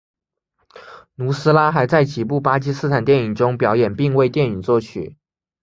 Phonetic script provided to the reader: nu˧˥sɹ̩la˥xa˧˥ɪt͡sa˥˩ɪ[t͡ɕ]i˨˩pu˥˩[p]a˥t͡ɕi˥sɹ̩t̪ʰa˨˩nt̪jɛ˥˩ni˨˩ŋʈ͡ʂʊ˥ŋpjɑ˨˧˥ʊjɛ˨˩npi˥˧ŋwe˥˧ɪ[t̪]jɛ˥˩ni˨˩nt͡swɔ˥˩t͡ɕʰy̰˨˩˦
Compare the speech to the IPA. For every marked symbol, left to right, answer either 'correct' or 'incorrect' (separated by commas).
correct, correct, correct